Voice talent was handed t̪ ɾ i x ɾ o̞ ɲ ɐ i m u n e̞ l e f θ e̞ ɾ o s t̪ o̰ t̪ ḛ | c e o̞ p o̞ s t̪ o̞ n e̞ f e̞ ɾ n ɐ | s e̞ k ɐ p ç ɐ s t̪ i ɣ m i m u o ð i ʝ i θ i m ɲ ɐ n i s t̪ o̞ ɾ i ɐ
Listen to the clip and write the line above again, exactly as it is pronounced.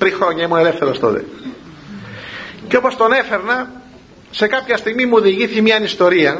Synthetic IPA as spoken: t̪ ɾ i x ɾ o̞ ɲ ɐ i m u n e̞ l e f θ e̞ ɾ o s t̪ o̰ t̪ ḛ | c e o̞ p o̞ s t̪ o̞ n e̞ f e̞ ɾ n ɐ | s e̞ k ɐ p ç ɐ s t̪ i ɣ m i m u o ð i ʝ i θ i m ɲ ɐ n i s t̪ o̞ ɾ i ɐ